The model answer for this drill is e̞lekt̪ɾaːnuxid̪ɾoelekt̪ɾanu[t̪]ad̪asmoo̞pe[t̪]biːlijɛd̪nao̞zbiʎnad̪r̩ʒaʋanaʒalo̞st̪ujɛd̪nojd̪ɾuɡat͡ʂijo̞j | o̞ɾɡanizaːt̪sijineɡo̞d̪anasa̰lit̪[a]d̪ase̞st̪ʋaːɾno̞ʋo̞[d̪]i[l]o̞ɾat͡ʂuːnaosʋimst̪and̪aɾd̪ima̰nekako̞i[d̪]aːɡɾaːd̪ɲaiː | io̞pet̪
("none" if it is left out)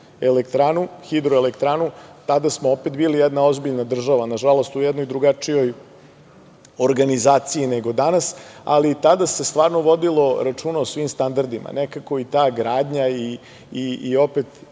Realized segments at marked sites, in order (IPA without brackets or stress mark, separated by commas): t̪, t̪, a, d̪, l, t̪